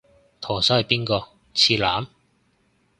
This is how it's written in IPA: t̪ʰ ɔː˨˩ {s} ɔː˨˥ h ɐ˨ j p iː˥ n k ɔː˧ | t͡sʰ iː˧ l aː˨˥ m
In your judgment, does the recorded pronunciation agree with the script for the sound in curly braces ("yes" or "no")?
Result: yes